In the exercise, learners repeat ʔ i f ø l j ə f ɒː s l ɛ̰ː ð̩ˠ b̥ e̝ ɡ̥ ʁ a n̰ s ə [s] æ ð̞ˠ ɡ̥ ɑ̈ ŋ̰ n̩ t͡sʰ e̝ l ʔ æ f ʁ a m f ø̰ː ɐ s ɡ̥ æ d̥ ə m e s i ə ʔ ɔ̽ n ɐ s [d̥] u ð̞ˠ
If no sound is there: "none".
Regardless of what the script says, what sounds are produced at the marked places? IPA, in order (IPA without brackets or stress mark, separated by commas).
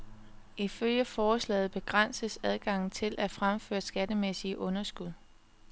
s, ɡ̥